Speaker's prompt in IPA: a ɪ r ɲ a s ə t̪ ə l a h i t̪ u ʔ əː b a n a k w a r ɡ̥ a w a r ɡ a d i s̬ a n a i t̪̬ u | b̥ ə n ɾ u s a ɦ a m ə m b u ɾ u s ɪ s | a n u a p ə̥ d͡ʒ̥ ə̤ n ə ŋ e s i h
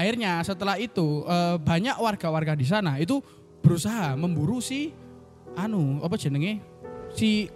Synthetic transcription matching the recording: a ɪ r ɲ a s ə t̪ ə l a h i t̪ u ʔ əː b a ɲ a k w a r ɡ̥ a w a r ɡ a d i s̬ a n a i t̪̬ u | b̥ ə ɾ u s a ɦ a m ə m b u ɾ u s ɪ h | a n u a p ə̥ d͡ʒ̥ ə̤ n ə ŋ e s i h